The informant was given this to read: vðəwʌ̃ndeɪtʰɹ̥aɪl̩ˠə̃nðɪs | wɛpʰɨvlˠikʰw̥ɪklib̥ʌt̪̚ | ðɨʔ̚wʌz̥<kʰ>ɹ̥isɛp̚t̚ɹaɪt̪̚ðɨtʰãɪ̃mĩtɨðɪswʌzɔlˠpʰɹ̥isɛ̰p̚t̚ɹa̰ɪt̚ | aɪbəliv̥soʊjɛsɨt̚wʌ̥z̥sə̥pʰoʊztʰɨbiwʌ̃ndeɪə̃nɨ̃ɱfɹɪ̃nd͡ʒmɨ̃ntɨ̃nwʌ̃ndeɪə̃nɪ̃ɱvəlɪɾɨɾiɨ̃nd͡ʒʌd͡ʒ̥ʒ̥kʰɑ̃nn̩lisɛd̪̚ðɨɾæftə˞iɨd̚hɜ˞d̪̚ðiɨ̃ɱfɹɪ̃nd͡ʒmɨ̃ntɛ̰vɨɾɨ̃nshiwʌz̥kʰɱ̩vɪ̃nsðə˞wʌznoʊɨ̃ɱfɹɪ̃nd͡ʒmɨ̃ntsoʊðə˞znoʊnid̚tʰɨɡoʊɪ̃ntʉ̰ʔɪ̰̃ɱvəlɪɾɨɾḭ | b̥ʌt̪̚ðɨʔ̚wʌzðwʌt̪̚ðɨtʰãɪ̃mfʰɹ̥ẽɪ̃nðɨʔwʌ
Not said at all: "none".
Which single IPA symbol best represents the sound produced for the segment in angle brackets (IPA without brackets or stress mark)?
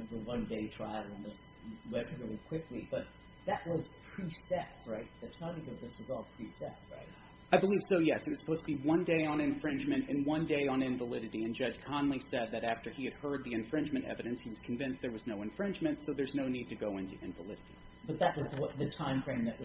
pʰ